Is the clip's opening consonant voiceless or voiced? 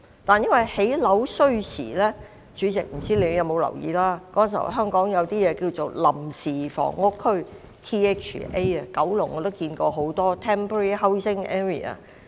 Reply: voiceless